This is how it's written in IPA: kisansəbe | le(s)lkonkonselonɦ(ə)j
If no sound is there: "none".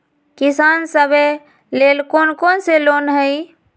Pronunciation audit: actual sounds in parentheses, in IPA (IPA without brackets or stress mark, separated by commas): none, ə